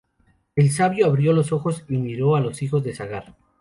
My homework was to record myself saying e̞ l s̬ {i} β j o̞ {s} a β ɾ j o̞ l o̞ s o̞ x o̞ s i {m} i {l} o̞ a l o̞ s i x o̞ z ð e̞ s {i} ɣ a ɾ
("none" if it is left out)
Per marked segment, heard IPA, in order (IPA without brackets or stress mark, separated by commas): a, none, m, ɾ, a